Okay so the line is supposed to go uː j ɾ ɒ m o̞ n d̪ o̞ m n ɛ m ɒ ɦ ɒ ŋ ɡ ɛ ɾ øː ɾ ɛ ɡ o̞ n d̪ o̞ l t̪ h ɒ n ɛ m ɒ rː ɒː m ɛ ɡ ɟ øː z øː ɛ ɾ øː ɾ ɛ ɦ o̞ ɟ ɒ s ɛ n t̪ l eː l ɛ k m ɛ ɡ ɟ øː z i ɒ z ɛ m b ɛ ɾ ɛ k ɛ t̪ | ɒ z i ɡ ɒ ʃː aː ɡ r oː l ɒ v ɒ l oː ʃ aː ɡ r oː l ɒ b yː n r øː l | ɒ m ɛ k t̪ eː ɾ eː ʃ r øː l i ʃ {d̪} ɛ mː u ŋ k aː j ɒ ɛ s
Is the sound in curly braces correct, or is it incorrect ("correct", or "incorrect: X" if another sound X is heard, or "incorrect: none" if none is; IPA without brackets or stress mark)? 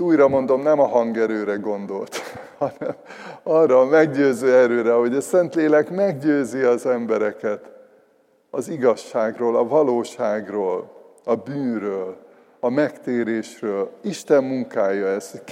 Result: incorrect: t̪